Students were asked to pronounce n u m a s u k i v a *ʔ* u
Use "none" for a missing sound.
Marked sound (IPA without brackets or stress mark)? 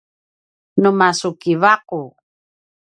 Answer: q